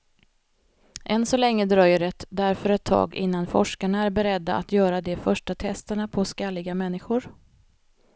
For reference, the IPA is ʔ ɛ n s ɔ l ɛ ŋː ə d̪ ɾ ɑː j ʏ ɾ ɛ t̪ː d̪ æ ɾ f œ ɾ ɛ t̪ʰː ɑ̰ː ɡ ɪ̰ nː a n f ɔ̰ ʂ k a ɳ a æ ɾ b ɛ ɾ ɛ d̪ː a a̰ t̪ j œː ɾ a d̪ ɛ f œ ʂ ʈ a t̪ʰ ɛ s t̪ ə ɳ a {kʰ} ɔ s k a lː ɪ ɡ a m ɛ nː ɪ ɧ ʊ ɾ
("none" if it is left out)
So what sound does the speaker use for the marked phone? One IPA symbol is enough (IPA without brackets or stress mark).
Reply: pʰ